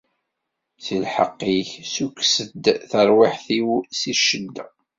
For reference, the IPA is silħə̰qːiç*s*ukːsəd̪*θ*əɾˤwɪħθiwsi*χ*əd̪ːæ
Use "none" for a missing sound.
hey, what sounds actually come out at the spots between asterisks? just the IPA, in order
s, θ, ʃ

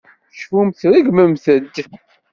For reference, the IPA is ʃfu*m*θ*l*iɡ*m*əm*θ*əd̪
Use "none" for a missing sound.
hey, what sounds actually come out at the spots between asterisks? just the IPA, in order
m, ɾ, m, θ

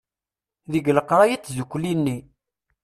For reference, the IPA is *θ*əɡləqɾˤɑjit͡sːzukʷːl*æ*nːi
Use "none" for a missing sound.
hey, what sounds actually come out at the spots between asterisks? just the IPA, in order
ð, i

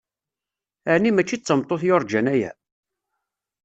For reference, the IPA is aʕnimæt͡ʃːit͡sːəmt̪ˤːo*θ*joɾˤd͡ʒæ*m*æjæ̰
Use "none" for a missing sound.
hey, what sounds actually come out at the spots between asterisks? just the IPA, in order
θ, n

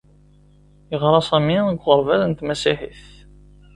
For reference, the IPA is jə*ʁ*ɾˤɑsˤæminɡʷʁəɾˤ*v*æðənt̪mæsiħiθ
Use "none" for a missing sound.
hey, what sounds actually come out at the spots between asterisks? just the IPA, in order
ʁ, v

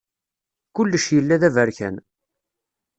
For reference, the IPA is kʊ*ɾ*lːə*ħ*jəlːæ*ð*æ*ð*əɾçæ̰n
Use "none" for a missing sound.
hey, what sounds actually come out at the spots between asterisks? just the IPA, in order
none, ʃ, ð, v

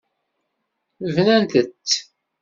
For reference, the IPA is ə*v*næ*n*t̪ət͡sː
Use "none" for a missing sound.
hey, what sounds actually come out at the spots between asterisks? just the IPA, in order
v, n

